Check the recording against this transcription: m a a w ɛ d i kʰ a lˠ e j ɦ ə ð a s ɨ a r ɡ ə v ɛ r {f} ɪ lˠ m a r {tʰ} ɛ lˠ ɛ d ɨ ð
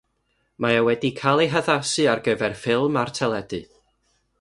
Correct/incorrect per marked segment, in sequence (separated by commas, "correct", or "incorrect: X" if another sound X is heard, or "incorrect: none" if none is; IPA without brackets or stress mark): correct, correct